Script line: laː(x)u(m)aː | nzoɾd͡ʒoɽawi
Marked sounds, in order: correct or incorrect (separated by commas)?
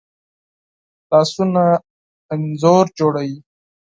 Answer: incorrect, incorrect